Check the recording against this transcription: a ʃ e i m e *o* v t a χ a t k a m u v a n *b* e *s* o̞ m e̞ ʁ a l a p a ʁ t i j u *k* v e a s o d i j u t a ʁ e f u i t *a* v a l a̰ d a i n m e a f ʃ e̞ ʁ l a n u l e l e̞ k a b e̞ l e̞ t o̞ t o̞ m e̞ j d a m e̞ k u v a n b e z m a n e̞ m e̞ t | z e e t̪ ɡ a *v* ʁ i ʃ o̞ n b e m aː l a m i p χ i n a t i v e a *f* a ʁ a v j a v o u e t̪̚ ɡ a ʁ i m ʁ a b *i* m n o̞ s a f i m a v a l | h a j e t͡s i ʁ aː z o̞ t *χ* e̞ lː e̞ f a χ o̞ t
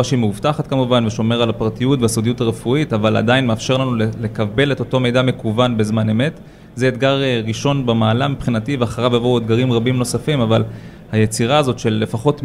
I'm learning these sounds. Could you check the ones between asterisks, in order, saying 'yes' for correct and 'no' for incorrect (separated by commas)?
no, no, no, no, yes, no, no, yes, no